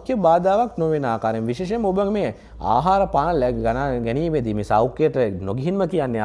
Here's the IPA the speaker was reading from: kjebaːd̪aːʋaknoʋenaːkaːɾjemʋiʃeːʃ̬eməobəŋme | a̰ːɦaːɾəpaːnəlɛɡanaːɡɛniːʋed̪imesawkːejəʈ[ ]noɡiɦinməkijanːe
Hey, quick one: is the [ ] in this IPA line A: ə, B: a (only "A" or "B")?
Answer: A